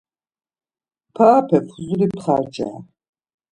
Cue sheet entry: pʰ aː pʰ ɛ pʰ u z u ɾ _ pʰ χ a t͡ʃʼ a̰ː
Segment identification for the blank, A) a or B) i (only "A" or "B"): B